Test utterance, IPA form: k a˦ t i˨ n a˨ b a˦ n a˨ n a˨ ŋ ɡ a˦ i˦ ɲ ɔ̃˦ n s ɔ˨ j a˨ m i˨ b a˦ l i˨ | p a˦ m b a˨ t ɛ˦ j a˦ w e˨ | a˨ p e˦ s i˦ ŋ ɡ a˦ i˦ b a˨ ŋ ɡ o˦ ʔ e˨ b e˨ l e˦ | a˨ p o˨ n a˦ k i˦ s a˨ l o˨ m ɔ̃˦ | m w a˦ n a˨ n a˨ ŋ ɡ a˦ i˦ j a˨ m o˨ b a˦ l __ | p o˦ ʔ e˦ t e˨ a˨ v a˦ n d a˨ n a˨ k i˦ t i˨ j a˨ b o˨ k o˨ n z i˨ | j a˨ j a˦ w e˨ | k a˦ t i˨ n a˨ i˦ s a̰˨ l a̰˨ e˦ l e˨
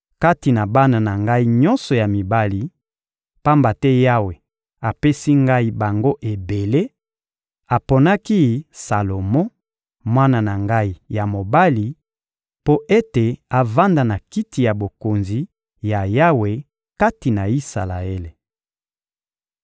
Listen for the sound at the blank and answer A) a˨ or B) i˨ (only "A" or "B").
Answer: B